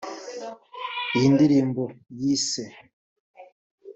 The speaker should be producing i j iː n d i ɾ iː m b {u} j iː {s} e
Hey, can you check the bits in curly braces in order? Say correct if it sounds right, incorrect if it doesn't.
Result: incorrect: o, correct

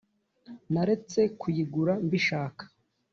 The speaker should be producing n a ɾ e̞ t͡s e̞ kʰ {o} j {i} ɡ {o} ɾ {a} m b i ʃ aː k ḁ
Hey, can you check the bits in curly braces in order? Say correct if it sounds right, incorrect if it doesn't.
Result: incorrect: u, correct, incorrect: u, correct

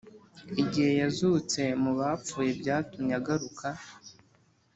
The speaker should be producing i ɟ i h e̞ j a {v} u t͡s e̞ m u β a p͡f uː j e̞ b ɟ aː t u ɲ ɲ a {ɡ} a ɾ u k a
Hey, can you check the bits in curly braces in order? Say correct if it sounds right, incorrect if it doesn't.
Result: incorrect: z, correct

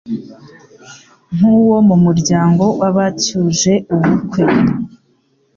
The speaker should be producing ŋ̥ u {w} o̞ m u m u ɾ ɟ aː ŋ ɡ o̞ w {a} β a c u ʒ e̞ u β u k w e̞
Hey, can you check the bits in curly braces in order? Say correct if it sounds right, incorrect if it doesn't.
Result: correct, correct

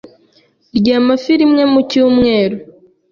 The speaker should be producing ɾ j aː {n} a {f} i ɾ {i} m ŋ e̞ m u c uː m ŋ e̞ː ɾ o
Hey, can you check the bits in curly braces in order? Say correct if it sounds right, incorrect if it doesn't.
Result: incorrect: m, correct, correct

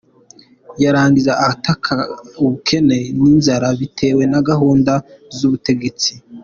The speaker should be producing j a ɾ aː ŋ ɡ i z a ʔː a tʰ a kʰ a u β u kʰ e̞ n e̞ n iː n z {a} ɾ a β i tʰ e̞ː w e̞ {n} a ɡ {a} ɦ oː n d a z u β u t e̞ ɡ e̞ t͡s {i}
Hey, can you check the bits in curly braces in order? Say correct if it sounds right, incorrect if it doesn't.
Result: correct, correct, correct, correct

